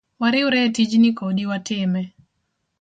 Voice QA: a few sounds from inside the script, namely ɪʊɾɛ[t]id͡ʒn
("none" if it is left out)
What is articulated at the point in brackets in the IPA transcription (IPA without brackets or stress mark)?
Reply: t